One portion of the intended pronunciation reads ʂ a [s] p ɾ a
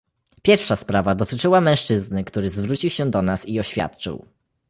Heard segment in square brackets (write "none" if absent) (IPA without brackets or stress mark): s